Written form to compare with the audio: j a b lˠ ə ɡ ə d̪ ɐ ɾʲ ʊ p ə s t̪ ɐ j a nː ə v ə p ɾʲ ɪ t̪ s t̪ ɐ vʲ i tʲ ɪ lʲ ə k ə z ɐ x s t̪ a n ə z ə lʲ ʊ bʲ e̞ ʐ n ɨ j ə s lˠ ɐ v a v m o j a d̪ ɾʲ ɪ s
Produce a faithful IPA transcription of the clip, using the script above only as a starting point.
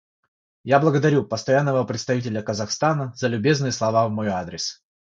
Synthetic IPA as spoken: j a b lˠ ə ɡ ə d̪ ɐ ɾʲ u p ə s t̪ ɐ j a nː ə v ə p ɾʲ ɪ t̪ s t̪ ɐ vʲ i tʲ ɪ lʲ ə k ə z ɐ x s t̪ a n ə z ə lʲ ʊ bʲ e̞ z n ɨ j ə s lˠ ɐ v a v m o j a d̪ ɾʲ ɪ s